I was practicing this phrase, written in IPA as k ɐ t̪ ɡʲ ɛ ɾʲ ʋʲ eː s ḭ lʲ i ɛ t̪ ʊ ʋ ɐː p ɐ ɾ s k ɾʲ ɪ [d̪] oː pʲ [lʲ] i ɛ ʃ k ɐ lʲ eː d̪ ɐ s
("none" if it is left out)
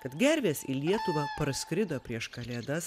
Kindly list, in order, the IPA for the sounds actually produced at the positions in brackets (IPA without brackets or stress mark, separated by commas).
d̪, ɾʲ